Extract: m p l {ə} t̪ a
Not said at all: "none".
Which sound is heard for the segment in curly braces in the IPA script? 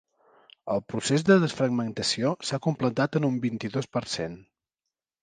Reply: ə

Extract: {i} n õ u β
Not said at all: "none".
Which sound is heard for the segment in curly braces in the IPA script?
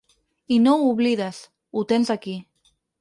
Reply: i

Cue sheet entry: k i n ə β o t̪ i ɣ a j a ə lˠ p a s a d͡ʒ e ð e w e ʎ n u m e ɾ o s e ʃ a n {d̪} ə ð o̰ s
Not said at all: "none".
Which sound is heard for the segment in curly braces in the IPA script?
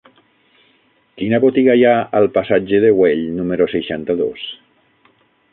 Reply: t̪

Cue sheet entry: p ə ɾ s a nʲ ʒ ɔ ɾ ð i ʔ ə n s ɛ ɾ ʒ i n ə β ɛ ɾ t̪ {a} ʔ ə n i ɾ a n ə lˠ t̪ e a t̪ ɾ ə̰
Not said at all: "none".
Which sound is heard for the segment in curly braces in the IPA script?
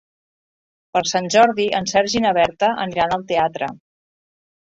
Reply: ə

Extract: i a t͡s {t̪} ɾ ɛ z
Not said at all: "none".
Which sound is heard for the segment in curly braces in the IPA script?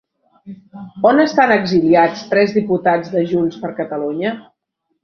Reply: t̪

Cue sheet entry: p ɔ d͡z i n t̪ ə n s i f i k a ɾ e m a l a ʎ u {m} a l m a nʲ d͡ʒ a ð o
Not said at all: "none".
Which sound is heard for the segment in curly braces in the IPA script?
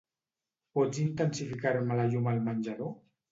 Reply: m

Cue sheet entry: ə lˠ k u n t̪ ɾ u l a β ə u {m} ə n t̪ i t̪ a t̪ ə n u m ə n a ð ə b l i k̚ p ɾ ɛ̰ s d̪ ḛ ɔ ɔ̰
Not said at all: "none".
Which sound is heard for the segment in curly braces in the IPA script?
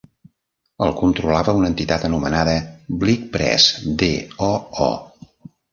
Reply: n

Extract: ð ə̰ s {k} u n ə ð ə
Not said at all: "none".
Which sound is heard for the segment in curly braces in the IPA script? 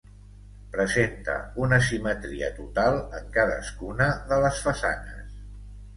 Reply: k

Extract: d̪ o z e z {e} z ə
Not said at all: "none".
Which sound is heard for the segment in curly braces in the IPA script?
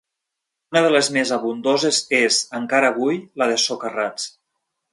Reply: e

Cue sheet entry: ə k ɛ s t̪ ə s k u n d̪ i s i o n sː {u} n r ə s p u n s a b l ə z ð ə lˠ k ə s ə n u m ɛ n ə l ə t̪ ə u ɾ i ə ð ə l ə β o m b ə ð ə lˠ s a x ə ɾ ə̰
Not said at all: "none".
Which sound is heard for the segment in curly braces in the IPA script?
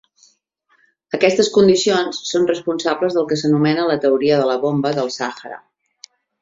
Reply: o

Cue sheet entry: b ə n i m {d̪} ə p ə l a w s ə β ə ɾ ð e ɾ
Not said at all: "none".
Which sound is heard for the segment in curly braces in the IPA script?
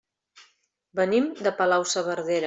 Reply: d̪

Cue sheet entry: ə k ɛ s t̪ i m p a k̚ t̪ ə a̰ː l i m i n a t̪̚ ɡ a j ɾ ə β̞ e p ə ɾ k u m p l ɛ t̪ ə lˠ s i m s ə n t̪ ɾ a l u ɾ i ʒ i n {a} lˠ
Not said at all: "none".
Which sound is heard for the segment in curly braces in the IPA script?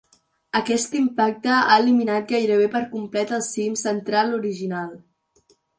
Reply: a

